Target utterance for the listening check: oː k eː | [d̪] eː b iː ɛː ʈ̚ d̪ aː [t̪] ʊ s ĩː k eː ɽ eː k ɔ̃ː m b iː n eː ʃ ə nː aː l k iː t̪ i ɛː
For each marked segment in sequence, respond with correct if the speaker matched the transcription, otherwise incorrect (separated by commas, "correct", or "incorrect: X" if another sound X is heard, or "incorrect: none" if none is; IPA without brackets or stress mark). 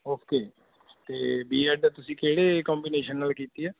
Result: incorrect: t̪, correct